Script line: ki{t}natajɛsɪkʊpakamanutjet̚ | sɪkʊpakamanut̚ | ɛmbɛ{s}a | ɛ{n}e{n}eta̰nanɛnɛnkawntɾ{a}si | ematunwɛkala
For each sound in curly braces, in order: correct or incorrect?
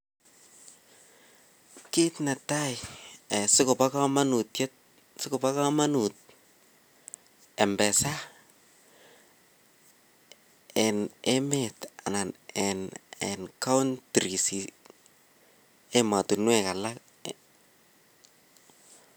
correct, correct, correct, incorrect: m, incorrect: i

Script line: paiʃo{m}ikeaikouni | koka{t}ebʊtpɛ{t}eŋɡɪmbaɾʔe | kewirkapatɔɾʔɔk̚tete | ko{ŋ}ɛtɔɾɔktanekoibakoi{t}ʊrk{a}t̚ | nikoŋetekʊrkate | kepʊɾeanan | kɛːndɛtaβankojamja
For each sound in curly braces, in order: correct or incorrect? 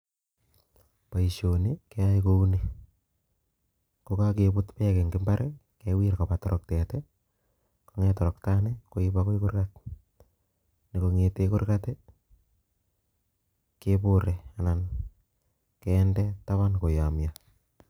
incorrect: n, incorrect: k, incorrect: k, correct, incorrect: k, correct

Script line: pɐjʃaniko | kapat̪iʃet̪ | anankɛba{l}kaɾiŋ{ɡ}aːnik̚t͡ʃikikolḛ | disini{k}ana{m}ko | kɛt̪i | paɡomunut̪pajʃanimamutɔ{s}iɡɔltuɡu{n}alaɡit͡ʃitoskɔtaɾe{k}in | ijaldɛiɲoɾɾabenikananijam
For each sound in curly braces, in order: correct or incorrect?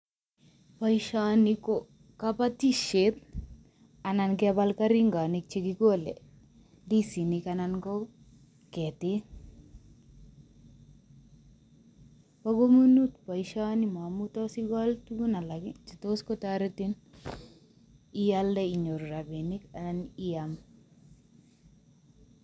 correct, correct, correct, incorrect: n, correct, correct, incorrect: t

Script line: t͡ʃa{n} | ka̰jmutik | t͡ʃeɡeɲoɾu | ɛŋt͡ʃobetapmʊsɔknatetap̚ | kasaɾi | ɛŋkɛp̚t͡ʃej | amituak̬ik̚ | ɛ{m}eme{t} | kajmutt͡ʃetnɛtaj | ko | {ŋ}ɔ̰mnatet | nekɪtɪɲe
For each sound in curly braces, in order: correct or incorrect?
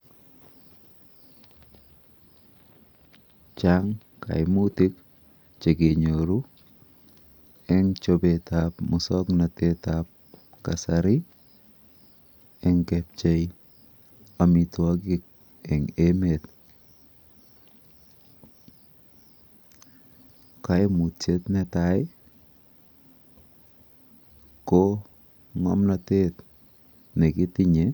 incorrect: ŋ, incorrect: ŋ, correct, correct

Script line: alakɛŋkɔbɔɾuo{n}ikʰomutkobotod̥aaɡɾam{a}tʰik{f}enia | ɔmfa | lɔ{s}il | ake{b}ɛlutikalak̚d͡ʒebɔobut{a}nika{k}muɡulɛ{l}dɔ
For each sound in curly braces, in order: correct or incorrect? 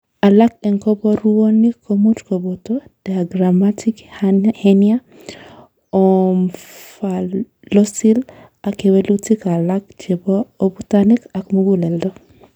correct, correct, incorrect: h, correct, incorrect: w, correct, correct, correct

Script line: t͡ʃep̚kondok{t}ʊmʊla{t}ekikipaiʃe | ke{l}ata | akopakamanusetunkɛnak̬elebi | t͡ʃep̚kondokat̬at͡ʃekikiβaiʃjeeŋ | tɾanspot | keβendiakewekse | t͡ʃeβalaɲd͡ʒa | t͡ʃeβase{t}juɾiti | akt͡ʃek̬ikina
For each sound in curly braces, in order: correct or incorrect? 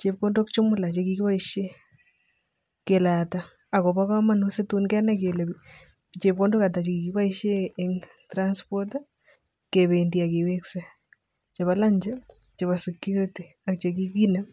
incorrect: t͡ʃ, incorrect: t͡ʃ, correct, incorrect: k

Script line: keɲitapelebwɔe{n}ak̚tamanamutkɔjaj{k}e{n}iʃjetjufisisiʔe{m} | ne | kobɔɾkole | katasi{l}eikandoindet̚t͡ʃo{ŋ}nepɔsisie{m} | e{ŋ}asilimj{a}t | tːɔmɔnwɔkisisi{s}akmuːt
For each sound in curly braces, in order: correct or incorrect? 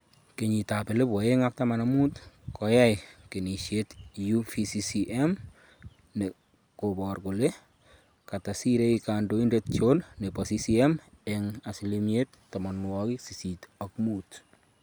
incorrect: ŋ, correct, correct, correct, incorrect: ɾ, incorrect: n, correct, correct, incorrect: e, incorrect: t

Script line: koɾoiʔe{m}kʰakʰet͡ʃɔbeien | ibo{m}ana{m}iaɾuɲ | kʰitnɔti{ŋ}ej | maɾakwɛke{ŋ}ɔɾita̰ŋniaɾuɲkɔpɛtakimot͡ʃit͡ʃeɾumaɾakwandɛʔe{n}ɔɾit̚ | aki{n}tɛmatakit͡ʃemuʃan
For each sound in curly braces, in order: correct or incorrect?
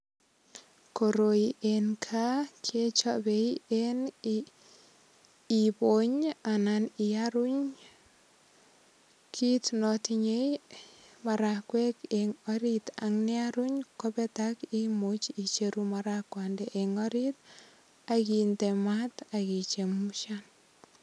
incorrect: n, incorrect: ɲ, incorrect: n, incorrect: ɲ, correct, incorrect: ŋ, correct

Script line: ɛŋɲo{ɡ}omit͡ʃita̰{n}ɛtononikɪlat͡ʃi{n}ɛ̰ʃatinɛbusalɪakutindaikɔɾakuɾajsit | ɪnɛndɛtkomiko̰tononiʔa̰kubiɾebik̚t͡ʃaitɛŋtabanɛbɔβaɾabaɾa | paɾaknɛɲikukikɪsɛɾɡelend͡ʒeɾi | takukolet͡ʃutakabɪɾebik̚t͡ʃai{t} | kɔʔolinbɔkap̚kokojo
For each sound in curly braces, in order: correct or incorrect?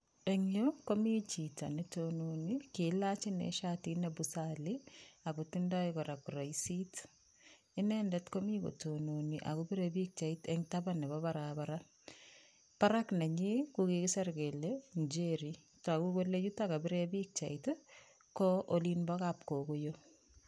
incorrect: k, correct, correct, correct

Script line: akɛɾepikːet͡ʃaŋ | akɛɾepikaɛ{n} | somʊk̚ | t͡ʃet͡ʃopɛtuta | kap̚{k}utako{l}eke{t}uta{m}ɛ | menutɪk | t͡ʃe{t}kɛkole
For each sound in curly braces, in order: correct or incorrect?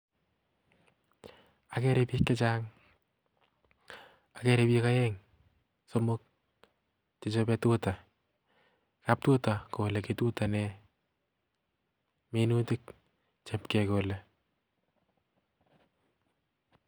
incorrect: ŋ, incorrect: t, correct, correct, incorrect: n, incorrect: p

